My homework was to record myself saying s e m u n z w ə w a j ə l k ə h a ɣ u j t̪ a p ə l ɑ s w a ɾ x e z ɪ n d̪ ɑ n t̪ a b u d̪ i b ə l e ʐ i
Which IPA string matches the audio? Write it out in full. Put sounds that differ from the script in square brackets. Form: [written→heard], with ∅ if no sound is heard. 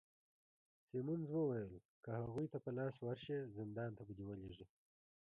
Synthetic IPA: s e m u n z w ə w a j ə l k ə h a ɣ u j t̪ a p ə l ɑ s w a ɾ [x→ʃ] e z ɪ n d̪ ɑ n t̪ a b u d̪ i [b→w] ə l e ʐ i